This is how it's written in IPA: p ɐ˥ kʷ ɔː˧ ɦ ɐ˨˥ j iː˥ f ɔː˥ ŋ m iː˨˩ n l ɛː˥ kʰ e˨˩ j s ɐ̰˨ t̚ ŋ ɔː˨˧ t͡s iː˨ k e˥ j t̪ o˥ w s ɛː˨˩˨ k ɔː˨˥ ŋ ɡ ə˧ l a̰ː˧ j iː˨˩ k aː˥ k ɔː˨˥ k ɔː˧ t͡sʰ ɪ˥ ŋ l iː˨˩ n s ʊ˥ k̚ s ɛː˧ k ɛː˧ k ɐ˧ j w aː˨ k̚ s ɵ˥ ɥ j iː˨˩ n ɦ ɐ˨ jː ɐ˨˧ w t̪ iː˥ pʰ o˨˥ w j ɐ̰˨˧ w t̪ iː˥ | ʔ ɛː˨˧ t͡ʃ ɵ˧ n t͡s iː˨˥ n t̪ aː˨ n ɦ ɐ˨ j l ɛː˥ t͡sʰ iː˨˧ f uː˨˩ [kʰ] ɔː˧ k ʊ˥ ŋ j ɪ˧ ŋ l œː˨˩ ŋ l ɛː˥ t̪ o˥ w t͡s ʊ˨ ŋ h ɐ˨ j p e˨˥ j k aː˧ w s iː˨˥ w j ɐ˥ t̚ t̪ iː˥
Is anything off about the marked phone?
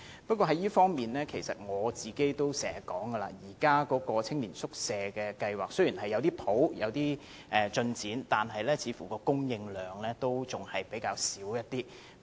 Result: yes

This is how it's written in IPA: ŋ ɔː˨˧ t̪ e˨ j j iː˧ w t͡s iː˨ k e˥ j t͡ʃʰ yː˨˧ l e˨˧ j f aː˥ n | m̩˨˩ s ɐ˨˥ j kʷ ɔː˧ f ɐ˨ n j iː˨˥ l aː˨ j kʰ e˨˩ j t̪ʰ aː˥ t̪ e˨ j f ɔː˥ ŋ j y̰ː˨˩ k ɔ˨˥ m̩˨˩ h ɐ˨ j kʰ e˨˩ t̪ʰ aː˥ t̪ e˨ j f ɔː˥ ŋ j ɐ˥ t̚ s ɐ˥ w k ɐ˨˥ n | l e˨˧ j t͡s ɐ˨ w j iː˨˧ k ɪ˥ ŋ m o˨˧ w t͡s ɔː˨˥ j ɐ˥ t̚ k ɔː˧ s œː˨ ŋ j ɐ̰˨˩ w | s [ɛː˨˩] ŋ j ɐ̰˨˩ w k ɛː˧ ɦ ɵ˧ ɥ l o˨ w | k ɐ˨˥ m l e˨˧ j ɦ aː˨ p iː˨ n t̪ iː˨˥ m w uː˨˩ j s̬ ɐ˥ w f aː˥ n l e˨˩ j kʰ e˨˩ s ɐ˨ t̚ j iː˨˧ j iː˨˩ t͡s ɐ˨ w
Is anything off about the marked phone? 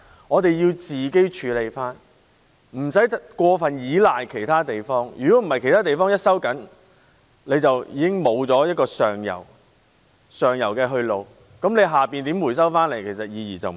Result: yes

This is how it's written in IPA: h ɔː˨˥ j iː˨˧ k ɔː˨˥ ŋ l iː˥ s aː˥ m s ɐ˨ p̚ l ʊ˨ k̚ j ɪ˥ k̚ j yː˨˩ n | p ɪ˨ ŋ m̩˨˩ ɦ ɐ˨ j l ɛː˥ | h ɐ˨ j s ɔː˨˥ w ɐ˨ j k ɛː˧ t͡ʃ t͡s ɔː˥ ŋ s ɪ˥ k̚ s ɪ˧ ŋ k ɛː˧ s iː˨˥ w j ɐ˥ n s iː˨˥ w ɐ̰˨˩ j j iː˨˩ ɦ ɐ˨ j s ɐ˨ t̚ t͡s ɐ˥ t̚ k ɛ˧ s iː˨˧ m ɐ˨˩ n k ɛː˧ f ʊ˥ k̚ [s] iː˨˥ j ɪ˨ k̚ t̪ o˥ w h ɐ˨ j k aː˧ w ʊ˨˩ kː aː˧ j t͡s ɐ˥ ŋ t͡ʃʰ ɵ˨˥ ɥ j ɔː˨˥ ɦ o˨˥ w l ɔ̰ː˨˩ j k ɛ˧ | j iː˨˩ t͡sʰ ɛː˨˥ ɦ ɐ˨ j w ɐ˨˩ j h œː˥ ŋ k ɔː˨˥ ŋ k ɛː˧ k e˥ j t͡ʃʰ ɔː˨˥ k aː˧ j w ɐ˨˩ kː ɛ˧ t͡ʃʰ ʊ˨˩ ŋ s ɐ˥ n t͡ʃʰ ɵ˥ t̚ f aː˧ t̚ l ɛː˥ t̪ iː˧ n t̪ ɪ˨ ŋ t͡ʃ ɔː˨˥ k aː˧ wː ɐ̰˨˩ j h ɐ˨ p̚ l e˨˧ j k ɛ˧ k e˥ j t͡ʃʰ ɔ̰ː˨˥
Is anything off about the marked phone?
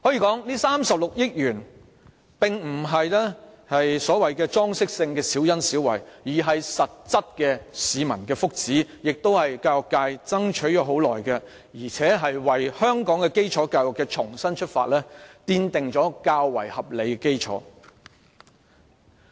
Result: yes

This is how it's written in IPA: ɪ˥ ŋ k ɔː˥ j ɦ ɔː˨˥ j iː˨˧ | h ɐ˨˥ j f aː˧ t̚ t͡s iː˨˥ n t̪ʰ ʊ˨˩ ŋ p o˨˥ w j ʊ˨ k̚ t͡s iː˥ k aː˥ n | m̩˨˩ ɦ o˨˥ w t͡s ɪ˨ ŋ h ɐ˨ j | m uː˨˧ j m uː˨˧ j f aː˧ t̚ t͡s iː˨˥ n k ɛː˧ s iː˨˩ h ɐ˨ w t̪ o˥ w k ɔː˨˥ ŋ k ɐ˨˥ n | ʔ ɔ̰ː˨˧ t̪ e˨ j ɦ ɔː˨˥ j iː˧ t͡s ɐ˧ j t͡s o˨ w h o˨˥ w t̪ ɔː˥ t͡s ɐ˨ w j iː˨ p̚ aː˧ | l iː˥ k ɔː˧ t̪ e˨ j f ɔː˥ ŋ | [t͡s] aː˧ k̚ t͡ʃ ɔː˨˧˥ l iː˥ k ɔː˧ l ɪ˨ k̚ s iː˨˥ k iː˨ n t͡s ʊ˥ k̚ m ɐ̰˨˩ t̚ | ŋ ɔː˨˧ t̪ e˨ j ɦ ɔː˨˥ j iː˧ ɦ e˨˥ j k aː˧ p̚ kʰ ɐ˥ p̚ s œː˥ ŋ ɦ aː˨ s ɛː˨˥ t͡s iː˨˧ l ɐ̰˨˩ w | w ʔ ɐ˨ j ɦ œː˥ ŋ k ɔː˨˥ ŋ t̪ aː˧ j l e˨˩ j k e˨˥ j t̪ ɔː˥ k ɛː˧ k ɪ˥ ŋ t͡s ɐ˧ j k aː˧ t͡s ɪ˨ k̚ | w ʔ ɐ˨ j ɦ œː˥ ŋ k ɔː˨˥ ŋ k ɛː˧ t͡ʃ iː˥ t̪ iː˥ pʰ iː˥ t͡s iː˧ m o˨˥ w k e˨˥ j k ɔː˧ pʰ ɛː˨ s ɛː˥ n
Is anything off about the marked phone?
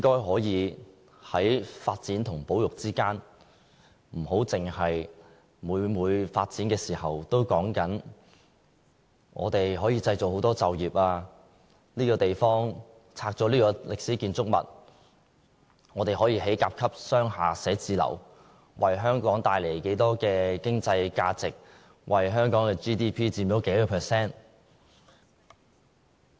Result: yes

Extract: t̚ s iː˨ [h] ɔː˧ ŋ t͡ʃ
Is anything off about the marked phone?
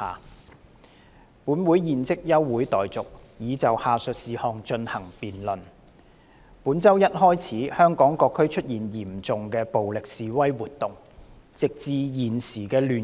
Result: no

